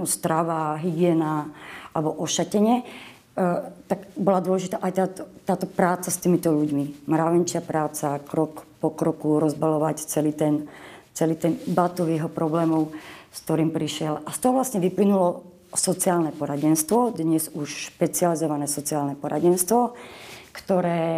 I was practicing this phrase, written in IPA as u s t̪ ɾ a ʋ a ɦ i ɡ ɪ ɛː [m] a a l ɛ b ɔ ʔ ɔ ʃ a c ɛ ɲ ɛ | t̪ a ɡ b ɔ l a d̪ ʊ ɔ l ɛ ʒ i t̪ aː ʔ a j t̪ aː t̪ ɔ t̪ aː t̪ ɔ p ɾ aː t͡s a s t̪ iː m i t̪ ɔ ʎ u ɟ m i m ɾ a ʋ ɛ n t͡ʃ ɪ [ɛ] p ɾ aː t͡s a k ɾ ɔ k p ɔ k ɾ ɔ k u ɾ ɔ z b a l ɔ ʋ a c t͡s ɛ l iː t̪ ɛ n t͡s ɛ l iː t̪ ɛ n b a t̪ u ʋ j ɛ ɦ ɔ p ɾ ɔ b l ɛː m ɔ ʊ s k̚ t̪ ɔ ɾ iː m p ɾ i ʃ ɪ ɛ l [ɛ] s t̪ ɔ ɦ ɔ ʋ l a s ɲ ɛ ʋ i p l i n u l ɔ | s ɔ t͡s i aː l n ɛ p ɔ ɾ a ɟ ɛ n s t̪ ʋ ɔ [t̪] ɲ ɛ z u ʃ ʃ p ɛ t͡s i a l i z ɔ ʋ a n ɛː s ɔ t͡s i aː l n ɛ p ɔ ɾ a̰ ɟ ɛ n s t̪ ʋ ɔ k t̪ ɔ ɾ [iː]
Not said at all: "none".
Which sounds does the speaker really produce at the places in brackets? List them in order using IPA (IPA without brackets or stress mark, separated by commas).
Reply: n, a, a, d̪, ɛː